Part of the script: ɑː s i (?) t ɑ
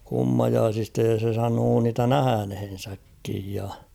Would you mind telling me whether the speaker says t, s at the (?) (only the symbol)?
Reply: s